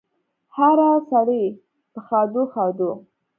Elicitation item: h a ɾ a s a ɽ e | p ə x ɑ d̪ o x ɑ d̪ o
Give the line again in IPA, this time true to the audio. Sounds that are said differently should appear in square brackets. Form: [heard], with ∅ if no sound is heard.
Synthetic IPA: h a ɾ a s a ɽ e | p ə x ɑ d̪ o x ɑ d̪ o